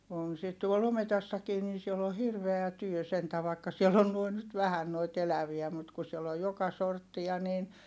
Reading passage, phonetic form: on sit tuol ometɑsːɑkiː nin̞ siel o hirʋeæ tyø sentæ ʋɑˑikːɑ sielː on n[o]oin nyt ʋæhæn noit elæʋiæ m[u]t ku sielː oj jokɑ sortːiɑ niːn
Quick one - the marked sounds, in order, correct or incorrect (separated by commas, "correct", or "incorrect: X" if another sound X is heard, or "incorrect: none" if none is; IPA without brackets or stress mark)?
incorrect: u, correct